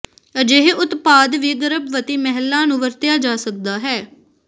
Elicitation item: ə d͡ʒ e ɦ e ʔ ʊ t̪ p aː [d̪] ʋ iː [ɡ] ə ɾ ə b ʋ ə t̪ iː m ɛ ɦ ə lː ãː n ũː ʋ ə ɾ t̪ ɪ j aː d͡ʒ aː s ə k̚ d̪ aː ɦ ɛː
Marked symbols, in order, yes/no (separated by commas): yes, yes